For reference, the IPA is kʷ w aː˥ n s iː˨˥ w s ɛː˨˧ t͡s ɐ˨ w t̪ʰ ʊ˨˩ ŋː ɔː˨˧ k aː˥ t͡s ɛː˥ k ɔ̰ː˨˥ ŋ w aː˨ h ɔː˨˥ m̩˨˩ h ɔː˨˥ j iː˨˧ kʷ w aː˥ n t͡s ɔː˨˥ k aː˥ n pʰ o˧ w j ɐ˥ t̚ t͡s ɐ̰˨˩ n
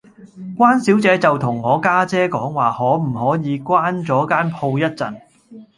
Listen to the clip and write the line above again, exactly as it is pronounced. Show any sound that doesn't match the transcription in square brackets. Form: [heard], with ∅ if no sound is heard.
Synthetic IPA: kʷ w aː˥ n s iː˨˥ w [t͡s] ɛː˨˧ t͡s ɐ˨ w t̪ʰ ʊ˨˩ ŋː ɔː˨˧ k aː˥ t͡s ɛː˥ k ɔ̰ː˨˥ ŋ w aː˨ h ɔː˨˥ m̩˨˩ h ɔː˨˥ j iː˨˧ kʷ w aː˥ n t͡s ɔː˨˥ k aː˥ n pʰ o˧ w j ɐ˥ t̚ t͡s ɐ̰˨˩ n